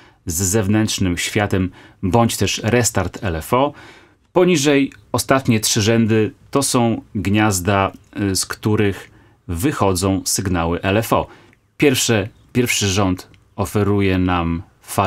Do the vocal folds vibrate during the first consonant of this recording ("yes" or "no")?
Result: yes